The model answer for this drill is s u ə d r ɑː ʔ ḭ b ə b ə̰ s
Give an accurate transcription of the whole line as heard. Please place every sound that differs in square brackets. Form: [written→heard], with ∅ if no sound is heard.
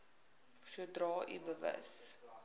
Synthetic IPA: s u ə d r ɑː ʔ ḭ b ə [b→v] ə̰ s